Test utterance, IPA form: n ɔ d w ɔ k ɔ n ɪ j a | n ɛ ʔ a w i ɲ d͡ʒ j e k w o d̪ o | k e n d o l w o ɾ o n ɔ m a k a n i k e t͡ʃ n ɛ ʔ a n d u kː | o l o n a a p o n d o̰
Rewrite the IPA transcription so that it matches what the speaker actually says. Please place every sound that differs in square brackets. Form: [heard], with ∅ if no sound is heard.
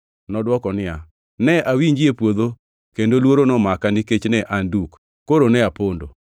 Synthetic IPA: n ɔ d w ɔ k ɔ n ɪ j a | n ɛ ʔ a w i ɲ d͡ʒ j e [p] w o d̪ o | k e n d o l w o ɾ o n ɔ m a k a n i k e t͡ʃ n ɛ ʔ a n d u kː | o [ɾ] o n [ɛ] a p o n d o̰